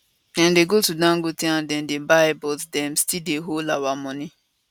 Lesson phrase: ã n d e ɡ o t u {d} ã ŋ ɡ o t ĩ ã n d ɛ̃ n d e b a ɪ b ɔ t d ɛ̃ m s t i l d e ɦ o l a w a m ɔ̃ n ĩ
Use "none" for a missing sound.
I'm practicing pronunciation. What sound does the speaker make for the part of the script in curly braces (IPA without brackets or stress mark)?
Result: d